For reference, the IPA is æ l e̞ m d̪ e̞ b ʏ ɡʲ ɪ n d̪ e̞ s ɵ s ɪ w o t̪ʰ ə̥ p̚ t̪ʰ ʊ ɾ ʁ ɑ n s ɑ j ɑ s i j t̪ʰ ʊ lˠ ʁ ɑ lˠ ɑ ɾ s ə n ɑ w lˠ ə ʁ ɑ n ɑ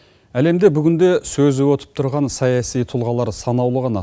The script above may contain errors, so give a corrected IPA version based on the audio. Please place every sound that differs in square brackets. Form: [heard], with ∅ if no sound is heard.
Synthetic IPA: æ l e̞ m d̪ e̞ b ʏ ɡʲ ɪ n d̪ e̞ s ɵ [z] ɪ w o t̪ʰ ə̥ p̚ t̪ʰ ʊ ɾ ʁ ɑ n s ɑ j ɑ s i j t̪ʰ ʊ lˠ ʁ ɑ lˠ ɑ ɾ s [ɑ] n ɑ w lˠ ə ʁ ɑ n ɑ